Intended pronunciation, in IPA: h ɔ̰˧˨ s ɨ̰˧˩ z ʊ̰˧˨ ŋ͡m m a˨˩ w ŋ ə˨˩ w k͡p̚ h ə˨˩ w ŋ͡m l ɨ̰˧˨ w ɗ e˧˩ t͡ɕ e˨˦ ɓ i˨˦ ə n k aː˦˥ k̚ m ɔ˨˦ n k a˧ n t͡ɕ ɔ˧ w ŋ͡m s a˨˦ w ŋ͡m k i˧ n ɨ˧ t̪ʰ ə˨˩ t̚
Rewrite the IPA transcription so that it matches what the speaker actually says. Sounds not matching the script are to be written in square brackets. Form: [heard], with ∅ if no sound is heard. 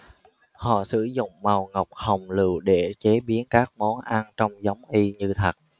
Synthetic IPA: h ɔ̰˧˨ s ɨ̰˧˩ z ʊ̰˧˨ ŋ͡m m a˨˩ w ŋ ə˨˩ w k͡p̚ h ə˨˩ w ŋ͡m l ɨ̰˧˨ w ɗ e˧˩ t͡ɕ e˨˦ ɓ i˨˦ ə n k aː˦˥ k̚ m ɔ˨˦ n [ʔ] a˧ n t͡ɕ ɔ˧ w ŋ͡m [z] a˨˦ w ŋ͡m [ʔ] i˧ [ɲ] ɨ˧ t̪ʰ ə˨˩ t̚